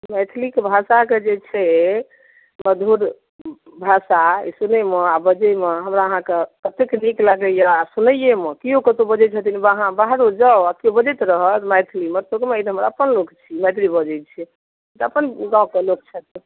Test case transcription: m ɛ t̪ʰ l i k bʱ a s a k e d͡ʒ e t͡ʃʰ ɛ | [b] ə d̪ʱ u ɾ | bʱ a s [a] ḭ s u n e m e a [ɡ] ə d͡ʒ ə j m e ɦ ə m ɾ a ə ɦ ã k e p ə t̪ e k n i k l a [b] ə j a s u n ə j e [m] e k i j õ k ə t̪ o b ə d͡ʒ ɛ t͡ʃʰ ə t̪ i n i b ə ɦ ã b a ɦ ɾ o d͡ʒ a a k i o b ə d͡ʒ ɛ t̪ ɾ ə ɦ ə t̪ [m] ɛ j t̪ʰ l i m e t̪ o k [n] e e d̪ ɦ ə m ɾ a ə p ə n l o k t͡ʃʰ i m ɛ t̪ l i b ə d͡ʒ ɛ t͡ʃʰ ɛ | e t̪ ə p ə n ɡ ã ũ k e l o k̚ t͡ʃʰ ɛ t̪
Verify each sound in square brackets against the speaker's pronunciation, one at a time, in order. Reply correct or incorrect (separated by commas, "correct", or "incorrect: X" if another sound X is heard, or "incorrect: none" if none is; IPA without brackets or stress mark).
incorrect: m, correct, incorrect: b, incorrect: ɡ, correct, correct, incorrect: m